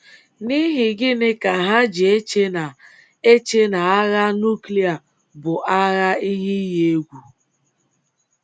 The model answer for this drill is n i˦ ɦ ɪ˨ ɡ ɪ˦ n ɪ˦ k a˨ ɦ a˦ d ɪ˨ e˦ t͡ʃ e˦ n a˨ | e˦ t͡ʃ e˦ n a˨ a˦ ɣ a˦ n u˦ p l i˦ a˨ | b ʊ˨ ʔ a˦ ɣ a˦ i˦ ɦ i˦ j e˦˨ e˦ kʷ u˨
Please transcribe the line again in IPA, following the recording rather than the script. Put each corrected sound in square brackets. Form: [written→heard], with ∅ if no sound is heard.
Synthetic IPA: n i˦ ɦ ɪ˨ ɡ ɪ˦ n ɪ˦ k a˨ ɦ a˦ [d→d͡ʒ] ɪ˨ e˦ t͡ʃ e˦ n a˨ | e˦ t͡ʃ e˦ n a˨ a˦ ɣ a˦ n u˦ [p→k] l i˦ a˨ | b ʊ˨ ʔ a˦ ɣ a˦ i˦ ɦ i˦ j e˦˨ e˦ [kʷ→ɡʷ] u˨